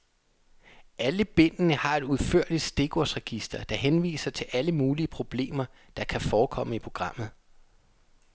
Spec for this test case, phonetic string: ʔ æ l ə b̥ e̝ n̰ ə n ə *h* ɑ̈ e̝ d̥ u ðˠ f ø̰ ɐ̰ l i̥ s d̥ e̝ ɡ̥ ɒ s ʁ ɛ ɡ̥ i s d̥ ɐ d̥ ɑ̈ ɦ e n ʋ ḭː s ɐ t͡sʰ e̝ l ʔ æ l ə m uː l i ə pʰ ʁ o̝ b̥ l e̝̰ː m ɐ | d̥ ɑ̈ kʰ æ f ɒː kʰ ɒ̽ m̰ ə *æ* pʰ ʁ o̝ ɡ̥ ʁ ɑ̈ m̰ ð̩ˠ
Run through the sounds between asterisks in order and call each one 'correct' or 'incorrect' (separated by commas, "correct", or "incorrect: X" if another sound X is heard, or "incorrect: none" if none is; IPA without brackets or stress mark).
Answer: correct, incorrect: i